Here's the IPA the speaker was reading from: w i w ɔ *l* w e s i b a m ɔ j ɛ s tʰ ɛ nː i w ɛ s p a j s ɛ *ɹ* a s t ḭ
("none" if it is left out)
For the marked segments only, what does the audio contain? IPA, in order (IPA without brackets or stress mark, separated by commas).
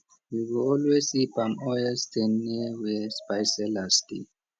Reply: l, l